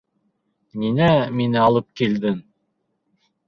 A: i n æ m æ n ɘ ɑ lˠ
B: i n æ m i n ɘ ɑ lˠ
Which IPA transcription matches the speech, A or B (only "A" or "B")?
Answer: B